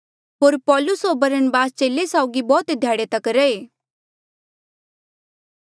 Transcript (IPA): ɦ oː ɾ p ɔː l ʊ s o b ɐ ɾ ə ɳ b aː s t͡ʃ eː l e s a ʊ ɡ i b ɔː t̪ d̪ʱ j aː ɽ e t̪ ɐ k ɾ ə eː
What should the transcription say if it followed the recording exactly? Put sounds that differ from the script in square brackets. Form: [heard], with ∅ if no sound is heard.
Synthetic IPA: ɦ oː ɾ p ɔː l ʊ s o b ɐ ɾ ə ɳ b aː s t͡ʃ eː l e s a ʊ ɡ i b ɔː t̪ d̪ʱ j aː ɽ e t̪ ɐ k ɾ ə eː